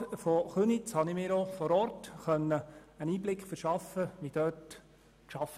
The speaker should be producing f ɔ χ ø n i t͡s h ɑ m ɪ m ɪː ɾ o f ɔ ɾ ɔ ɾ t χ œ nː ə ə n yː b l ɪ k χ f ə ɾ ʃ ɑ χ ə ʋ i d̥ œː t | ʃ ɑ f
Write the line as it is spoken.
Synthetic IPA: f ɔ χ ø n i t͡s h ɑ n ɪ m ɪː ɾ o f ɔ ɾ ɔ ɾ t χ œ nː ə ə n iː b l ɪ k χ f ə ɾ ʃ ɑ f ə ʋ i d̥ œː t | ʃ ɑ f